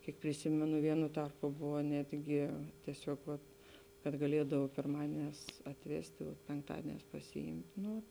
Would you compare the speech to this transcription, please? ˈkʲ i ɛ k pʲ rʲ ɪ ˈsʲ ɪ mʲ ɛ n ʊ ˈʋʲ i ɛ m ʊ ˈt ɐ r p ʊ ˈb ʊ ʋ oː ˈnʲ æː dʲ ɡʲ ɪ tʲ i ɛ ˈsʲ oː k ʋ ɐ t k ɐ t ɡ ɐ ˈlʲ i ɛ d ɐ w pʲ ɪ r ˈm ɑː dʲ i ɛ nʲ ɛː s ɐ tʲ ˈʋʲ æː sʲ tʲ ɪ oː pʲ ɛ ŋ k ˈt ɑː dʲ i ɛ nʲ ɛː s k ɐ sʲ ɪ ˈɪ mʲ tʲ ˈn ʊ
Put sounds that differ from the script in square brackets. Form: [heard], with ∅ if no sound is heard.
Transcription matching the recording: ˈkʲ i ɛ k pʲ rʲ ɪ ˈsʲ ɪ mʲ ɛ n ʊ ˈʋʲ i ɛ [n] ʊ ˈt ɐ r p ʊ ˈb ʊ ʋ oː ˈnʲ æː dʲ ɡʲ ɪ tʲ i ɛ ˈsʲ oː k ʋ ɐ t k ɐ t ɡ ɐ ˈlʲ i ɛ d ɐ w pʲ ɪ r ˈm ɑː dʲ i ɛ nʲ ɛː s ɐ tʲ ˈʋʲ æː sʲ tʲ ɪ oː pʲ ɛ ŋ k ˈt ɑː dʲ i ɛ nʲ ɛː s [p] ɐ sʲ ɪ ˈɪ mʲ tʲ ˈn ʊ